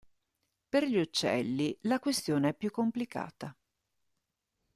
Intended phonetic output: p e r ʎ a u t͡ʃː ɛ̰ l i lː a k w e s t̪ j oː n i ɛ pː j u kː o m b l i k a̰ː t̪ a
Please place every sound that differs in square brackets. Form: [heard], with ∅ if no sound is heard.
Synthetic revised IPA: p e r ʎ [i] u t͡ʃː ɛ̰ [lː] i [l] a k w e s t̪ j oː n [e] ɛ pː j u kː o m [p] l i k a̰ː t̪ a